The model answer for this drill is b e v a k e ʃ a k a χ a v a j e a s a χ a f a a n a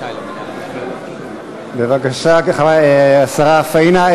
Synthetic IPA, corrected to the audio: b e v a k a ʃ a k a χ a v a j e a s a ʁ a f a i n a